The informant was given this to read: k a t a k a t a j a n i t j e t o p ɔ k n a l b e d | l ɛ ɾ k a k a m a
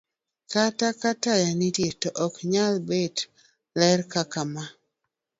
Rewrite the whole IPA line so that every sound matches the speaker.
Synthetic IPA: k a t a k a t a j a n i t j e t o ʔ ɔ k ɲ a l b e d | l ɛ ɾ k a k a m a